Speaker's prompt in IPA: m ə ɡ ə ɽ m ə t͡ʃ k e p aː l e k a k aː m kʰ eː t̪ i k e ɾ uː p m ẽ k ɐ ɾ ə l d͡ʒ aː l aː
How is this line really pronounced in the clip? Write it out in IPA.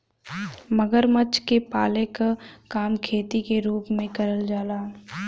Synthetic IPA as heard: m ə ɡ ə ɾ m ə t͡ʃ k e p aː l e k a k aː m kʰ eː t̪ i k e ɾ uː p m ẽ k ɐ ɾ ə l d͡ʒ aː l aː